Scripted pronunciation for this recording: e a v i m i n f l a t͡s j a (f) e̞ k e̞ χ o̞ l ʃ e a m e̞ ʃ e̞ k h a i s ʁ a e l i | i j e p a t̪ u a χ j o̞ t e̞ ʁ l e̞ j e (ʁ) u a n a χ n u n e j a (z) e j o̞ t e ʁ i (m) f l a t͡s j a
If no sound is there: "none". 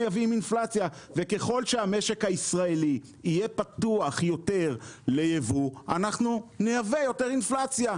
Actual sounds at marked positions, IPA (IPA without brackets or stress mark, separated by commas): v, v, v, n